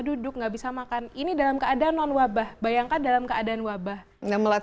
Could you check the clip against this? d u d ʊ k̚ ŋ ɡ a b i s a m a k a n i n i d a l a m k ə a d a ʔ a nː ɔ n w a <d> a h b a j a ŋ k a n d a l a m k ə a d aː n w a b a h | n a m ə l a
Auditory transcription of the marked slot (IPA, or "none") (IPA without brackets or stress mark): b